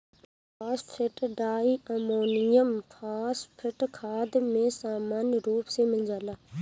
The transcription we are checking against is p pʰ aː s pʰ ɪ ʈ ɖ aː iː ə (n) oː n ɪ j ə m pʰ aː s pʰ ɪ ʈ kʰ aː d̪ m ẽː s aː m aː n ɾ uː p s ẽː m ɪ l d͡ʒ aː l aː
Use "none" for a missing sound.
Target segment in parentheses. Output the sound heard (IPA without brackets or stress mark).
m